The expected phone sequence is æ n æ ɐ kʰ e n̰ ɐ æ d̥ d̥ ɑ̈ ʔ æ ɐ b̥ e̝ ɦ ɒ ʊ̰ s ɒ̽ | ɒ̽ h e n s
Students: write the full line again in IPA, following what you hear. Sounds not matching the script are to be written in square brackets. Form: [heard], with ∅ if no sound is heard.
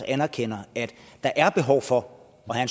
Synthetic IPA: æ n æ ɐ kʰ e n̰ ɐ æ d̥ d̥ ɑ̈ ʔ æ ɐ b̥ e̝ ɦ ɒ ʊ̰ [f] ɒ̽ | ɒ̽ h [æ] n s

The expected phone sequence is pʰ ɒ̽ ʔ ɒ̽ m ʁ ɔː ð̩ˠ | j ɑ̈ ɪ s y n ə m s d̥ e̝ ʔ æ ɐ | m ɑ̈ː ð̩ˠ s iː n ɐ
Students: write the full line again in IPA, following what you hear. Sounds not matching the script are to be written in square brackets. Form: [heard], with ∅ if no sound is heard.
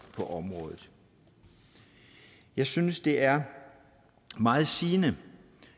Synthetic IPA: pʰ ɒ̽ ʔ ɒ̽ m ʁ ɔː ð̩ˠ | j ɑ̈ ɪ s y n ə [∅] s d̥ e̝ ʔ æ ɐ | m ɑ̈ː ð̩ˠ s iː n [ə]

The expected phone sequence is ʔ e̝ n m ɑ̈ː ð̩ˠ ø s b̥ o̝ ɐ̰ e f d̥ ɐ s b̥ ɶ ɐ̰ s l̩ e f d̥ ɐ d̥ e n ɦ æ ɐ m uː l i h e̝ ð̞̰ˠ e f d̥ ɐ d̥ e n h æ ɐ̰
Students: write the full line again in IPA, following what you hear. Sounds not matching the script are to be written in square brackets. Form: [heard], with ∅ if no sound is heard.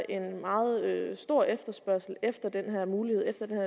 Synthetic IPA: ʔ e̝ n m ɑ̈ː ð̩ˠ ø s [d̥] o̝ ɐ̰ e f d̥ ɐ s b̥ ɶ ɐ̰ s l̩ e f d̥ ɐ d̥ e n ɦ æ ɐ m uː l i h e̝ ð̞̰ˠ e f d̥ ɐ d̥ e n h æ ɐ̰

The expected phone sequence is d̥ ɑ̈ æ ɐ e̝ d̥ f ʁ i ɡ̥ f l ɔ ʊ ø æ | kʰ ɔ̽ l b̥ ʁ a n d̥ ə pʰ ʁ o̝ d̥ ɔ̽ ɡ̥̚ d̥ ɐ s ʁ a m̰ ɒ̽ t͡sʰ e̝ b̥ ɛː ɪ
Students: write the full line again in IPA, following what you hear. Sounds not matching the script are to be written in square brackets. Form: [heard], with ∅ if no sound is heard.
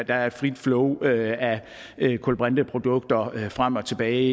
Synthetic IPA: d̥ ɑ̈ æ ɐ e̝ d̥ f ʁ i [d̥] f l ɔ ʊ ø æ | kʰ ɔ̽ l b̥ ʁ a n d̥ ə pʰ ʁ o̝ d̥ ɔ̽ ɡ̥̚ d̥ ɐ [f] ʁ a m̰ ɒ̽ t͡sʰ e̝ b̥ ɛː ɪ

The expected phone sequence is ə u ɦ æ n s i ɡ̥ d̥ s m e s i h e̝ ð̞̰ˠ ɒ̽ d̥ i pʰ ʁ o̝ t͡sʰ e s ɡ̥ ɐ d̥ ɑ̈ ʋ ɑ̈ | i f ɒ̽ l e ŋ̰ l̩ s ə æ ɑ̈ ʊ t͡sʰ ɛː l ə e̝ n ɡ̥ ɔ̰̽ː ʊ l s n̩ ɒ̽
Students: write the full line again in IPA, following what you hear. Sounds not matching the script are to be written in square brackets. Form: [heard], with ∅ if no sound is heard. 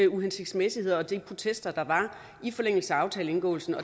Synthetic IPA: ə u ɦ [e] n s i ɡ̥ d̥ s m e s i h e̝ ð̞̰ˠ ɒ̽ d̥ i pʰ ʁ o̝ t͡sʰ e s [d̥] ɐ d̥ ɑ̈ ʋ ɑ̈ | i f ɒ̽ l e ŋ̰ l̩ s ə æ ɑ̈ ʊ t͡sʰ ɛː l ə e̝ n ɡ̥ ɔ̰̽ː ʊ l s n̩ ɒ̽

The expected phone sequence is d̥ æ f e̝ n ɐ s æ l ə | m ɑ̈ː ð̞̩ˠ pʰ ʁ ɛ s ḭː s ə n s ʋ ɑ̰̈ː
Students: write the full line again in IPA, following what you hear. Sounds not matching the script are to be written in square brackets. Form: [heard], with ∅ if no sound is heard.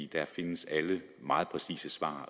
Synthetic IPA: d̥ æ f e̝ n [ə] s æ l ə | m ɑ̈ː ð̞̩ˠ pʰ ʁ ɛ s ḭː s ə [∅] s ʋ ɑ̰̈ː

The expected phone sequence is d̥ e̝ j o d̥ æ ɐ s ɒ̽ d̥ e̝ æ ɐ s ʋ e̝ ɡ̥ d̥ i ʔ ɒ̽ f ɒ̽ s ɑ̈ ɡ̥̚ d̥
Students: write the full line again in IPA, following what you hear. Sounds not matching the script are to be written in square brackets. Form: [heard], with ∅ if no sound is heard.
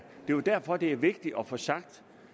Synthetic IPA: d̥ e̝ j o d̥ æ ɐ [f] ɒ̽ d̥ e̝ æ ɐ [∅] ʋ e̝ ɡ̥ d̥ i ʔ ɒ̽ f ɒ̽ s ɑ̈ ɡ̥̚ d̥

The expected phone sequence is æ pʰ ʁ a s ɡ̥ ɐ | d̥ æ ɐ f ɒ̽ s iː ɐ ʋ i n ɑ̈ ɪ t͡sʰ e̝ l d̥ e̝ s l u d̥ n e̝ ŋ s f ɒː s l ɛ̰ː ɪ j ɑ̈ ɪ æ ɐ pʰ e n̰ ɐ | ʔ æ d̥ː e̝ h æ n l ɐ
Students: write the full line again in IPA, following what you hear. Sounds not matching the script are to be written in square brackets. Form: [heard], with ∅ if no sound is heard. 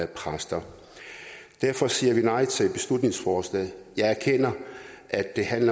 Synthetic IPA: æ pʰ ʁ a s [d̥] ɐ | d̥ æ ɐ f ɒ̽ s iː ɐ ʋ i n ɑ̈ ɪ t͡sʰ e̝ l [b̥] e̝ s l u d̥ n e̝ ŋ s f ɒː s l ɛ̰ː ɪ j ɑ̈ ɪ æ ɐ [kʰ] e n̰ ɐ | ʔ æ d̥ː e̝ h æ n l ɐ

